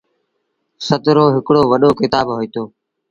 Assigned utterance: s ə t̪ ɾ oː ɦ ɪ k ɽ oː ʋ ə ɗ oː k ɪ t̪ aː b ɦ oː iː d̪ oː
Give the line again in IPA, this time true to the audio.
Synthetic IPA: s ə t̪ ɾ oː ɦ ɪ k ɽ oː ʋ ə ɗ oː k ɪ t̪ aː b ɦ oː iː t̪ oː